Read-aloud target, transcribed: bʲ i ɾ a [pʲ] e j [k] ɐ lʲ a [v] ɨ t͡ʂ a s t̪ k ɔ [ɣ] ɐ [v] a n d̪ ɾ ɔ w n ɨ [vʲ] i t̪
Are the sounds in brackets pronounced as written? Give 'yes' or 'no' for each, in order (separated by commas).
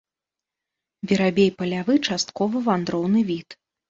no, no, yes, no, yes, yes